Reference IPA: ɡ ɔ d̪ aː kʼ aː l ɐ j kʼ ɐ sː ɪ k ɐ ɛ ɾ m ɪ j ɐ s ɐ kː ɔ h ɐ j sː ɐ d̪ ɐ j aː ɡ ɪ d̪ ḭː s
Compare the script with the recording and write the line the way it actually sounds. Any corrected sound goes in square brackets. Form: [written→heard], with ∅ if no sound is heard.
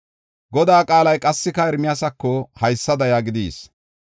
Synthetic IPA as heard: ɡ ɔ d̪ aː kʼ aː l ɐ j kʼ ɐ sː ɪ k ɐ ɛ ɾ m ɪ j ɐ s ɐ kː ɔ h ɐ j sː ɐ d̪ ɐ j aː ɡ ɪ d̪ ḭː s